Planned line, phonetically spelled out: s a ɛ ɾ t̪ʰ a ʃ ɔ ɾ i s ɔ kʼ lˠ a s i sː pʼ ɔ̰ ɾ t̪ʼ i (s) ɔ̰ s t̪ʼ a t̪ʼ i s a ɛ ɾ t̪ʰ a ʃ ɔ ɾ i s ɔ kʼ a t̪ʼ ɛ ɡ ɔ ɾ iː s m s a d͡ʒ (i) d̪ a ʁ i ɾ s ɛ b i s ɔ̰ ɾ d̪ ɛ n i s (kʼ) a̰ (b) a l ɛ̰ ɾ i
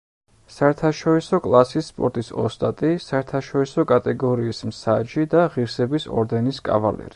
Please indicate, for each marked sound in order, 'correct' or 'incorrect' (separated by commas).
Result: correct, correct, correct, incorrect